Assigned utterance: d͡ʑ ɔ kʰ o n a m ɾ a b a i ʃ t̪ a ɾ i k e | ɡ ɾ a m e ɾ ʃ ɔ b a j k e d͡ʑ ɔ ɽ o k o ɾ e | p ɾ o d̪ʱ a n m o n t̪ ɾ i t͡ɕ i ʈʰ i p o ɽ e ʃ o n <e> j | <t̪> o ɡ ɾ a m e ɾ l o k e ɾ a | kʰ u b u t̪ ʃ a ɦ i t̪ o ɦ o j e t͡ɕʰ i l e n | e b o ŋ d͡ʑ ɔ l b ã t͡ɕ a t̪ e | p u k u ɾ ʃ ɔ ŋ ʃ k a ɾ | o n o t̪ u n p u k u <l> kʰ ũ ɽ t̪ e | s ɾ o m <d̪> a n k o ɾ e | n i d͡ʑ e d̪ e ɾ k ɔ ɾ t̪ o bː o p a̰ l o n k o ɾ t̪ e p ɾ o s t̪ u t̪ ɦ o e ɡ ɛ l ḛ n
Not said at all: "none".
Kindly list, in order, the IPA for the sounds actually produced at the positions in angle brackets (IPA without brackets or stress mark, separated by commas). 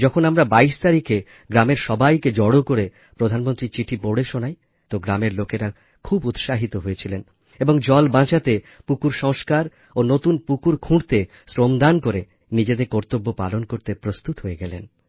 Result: a, t̪, ɾ, d̪